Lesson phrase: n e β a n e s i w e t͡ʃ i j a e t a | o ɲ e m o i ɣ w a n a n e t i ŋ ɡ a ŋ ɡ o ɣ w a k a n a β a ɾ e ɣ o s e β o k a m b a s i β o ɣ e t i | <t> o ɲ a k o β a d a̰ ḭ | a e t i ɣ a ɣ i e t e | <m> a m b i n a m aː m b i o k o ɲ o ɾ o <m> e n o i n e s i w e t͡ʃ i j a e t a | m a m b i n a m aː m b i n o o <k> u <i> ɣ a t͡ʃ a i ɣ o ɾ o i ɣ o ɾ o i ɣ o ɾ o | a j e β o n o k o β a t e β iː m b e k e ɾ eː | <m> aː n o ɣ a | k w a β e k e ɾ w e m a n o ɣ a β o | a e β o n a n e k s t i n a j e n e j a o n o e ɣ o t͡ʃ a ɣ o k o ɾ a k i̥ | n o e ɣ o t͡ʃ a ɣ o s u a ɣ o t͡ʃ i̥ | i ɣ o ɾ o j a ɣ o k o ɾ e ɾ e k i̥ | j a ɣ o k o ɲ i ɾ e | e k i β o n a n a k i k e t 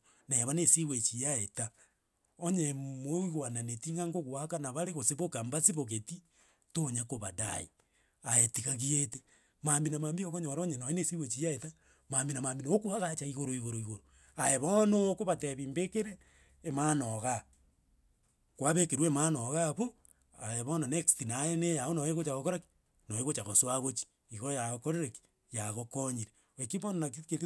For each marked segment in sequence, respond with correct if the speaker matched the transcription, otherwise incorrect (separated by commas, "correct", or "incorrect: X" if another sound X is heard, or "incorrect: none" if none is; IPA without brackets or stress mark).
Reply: correct, correct, incorrect: ɲ, correct, incorrect: a, correct